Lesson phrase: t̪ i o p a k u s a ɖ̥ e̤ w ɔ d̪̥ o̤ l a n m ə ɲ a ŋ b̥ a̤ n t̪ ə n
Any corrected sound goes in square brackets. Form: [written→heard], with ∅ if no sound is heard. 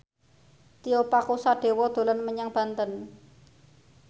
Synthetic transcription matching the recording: t̪ i o p a k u s a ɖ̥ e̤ w ɔ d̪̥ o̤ l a n m ə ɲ a ŋ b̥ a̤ n t̪ ə n